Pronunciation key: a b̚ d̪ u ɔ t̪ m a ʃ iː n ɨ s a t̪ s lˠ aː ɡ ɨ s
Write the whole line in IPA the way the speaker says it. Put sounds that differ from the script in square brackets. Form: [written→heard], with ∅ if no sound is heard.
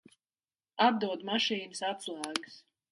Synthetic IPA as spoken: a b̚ d̪ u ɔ [t̪→d̪] m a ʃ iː n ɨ s a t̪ s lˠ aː ɡ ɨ s